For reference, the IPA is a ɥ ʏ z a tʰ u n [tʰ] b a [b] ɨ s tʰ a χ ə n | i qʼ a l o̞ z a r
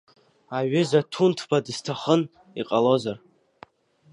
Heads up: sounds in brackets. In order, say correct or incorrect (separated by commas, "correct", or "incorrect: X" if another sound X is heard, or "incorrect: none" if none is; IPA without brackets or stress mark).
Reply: correct, incorrect: d